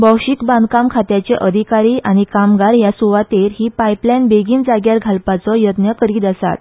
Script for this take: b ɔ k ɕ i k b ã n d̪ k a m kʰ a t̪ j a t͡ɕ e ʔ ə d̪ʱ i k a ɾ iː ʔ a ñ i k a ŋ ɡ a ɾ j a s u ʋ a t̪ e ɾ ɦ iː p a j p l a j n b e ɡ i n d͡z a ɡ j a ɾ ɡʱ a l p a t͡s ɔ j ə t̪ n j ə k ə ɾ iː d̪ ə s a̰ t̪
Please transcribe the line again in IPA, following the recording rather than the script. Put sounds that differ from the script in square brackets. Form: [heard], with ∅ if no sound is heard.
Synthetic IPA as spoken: b ɔ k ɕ i k b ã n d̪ k a m kʰ a t̪ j a t͡ɕ e ʔ ə d̪ʱ i k a ɾ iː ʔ a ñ i k a [m] ɡ a ɾ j a s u ʋ a t̪ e ɾ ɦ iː p a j p l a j n b e ɡ [iː] n d͡z a ɡ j a ɾ ɡʱ a l p a t͡s ɔ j ə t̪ n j ə k ə ɾ iː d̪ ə s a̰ t̪